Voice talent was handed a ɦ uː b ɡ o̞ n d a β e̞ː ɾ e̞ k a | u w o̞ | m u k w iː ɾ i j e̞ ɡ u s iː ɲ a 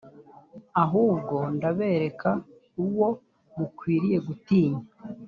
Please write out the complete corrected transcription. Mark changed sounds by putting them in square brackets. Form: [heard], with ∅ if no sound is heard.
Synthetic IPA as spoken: a ɦ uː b ɡ o̞ n d a β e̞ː ɾ e̞ k a | u w o̞ | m u k w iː ɾ i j e̞ ɡ u [t] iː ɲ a

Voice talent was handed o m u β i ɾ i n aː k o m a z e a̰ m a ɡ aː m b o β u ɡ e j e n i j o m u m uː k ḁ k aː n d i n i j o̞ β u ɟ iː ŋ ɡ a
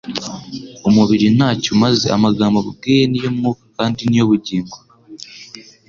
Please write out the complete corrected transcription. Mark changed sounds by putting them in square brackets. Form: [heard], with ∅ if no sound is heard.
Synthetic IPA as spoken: o m u β i ɾ i n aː [c] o m a z e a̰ m a ɡ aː m b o β u ɡ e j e n i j o m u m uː k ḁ k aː n d i n i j o̞ β u ɟ iː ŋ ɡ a

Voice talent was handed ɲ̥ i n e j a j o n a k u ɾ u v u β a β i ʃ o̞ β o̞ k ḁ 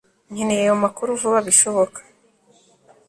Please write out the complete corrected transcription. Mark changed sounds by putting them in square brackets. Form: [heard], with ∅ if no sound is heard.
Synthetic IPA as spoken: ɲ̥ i n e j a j o [m] a k u ɾ u v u β a β i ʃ o̞ β o̞ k ḁ

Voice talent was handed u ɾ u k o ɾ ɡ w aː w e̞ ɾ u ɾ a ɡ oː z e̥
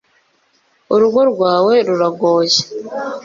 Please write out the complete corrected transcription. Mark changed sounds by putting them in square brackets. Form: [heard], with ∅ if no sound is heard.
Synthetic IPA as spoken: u ɾ u [ɡ] o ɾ ɡ w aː w e̞ ɾ u ɾ a ɡ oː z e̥

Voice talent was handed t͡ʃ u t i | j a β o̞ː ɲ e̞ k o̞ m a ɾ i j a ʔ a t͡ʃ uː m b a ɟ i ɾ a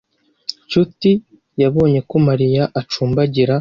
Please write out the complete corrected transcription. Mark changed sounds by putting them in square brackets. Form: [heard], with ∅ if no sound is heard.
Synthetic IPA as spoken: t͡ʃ u t i | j a β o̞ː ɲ e̞ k o̞ m a ɾ i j a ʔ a t͡ʃ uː m b a ɟ i ɾ a

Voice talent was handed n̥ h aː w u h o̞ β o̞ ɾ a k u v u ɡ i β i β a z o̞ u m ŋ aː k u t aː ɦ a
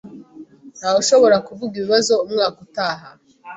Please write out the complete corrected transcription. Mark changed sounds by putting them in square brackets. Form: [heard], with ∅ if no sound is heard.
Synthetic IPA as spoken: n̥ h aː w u [ʃ] o̞ β o̞ ɾ a k u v u ɡ i β i β a z o̞ u m ŋ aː k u t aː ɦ a

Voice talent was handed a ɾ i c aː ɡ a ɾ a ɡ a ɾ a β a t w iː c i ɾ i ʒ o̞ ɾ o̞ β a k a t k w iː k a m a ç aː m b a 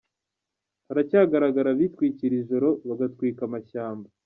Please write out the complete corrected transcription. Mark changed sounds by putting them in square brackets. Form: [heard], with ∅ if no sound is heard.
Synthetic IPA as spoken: a ɾ [a] c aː ɡ a ɾ a ɡ a ɾ a β [i] t w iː c i ɾ i ʒ o̞ ɾ o̞ β a [ɡ] a t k w iː k a m a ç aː m b a

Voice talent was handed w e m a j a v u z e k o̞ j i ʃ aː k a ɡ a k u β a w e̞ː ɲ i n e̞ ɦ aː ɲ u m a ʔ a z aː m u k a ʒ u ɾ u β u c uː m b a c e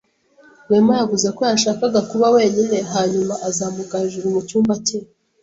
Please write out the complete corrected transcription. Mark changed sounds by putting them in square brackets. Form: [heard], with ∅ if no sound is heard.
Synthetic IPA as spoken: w e m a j a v u z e k o̞ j [a] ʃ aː k a ɡ a k u β a w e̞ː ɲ i n e̞ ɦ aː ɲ u m a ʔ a z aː m u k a ʒ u ɾ u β u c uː m b a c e

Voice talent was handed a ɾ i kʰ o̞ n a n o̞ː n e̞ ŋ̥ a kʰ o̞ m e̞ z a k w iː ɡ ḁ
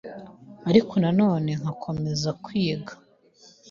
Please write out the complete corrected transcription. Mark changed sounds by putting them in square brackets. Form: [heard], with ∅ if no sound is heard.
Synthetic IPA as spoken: a ɾ i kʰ o̞ n a n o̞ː n e̞ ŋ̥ a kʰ o̞ m e̞ z a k w iː ɡ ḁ

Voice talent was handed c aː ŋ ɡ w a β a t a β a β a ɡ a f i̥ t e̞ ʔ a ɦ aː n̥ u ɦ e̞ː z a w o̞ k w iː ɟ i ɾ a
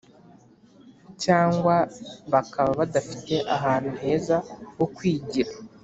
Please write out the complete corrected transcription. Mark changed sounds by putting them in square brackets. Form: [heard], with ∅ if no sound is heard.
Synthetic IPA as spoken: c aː ŋ ɡ w a β a [k] a β a β a [d] a f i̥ t e̞ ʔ a ɦ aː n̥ u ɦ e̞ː z a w o̞ k w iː ɟ i ɾ a

